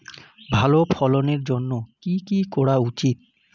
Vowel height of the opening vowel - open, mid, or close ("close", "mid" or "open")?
open